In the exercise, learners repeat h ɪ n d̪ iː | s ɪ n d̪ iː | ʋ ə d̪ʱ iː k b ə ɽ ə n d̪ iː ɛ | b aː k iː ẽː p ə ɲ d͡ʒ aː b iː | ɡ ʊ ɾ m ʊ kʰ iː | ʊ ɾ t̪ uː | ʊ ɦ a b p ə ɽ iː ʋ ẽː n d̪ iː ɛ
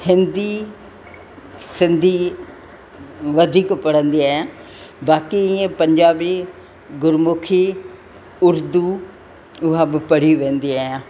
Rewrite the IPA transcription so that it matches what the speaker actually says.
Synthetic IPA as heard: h ɪ n d̪ iː | s ɪ n d̪ iː | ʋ ə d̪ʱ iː k p ə ɽ ə n d̪ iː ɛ | b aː k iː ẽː p ə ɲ d͡ʒ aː b iː | ɡ ʊ ɾ m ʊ kʰ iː | ʊ ɾ d̪ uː | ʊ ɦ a b p ə ɽ iː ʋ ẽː n d̪ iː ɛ